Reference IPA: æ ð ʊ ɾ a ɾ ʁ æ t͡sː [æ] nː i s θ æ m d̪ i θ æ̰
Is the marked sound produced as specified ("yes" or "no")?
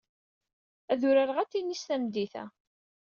no